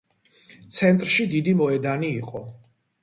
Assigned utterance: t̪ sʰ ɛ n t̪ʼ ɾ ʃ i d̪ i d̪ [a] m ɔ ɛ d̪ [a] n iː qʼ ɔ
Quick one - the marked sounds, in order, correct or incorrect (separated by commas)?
incorrect, correct